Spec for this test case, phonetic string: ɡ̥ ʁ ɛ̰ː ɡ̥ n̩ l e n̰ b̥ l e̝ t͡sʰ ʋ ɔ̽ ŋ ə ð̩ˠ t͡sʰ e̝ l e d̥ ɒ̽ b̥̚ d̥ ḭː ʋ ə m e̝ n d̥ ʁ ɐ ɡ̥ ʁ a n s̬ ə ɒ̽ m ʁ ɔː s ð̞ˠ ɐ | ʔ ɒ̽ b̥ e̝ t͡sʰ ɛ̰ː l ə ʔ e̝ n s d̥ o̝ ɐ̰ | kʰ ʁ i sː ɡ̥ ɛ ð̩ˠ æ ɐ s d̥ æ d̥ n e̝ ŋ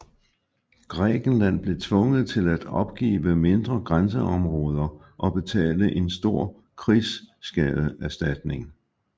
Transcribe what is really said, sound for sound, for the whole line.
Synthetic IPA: ɡ̥ ʁ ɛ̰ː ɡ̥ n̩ l æ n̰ b̥ l e̝ t͡sʰ ʋ ɔ̽ ŋ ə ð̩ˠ t͡sʰ e̝ l æ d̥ ɒ̽ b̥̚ ɡ̥ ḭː ʋ ə m e̝ n d̥ ʁ ɐ ɡ̥ ʁ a n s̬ ə ɒ̽ m ʁ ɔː ð̞ˠ ɐ | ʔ ɒ̽ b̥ e̝ t͡sʰ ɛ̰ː l ə ʔ e̝ n s d̥ o̝ ɐ̰ | kʰ ʁ i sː ɡ̥ ɛ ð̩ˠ æ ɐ s d̥ æ d̥ n e̝ ŋ